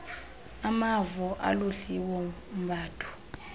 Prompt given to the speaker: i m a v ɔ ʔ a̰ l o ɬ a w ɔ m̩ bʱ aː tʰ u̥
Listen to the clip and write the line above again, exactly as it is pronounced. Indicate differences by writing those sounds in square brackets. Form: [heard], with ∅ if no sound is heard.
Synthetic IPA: [a] m a v ɔ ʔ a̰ l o ɬ [i] w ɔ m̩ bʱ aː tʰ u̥